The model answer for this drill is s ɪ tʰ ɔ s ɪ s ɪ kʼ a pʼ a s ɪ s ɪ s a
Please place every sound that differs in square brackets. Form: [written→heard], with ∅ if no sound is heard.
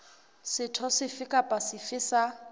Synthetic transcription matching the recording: s ɪ tʰ ɔ s ɪ [s→f] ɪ kʼ a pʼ a s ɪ [s→f] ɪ s a